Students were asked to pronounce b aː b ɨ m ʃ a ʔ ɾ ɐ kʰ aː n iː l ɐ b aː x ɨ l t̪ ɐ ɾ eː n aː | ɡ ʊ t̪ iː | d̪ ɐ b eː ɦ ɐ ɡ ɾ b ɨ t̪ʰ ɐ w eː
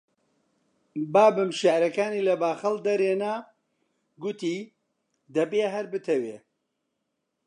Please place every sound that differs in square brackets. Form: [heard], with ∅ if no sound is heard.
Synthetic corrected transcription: b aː b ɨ m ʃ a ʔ ɾ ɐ [k] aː n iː l ɐ b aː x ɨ l [d̪] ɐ ɾ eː n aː | ɡ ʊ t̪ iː | d̪ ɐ b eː ɦ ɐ [∅] ɾ b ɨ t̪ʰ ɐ w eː